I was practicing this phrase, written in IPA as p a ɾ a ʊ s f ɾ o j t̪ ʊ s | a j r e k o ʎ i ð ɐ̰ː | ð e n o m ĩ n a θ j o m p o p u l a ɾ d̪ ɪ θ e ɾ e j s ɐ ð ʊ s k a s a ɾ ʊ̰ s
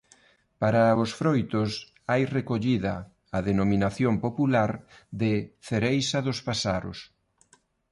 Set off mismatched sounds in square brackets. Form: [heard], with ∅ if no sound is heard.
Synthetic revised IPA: p a ɾ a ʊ s f ɾ o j t̪ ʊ s | a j r e k o ʎ i ð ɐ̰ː | ð e n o m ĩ n a θ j o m p o p u l a ɾ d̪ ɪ θ e ɾ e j s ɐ ð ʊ s [p] a s a ɾ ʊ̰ s